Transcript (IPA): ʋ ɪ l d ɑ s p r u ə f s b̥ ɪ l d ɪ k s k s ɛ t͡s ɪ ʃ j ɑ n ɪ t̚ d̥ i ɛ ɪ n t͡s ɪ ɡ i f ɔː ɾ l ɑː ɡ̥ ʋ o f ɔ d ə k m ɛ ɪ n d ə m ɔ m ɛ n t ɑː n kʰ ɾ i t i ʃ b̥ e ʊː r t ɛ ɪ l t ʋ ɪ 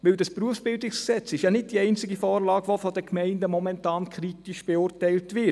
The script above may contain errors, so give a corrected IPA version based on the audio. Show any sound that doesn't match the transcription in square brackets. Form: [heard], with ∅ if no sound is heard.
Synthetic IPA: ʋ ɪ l d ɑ s p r u ə f s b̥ ɪ l d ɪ k s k s ɛ t͡s ɪ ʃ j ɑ n ɪ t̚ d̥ i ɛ ɪ n t͡s ɪ ɡ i f ɔː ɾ l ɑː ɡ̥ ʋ o f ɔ d ə k m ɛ ɪ n d ə m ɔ m ɛ n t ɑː n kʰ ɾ i t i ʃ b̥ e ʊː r t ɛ ɪ l t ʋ ɪ